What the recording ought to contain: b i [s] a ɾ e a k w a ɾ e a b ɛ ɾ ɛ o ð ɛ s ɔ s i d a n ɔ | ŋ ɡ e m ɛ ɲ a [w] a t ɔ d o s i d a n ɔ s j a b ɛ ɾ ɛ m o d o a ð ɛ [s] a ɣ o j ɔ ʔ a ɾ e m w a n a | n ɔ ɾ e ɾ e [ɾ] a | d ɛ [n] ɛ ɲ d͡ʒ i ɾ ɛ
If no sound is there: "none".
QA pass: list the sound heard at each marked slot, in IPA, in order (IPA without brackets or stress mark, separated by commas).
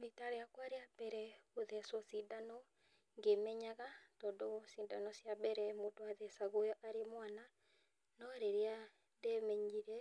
t, ɣ, s, none, m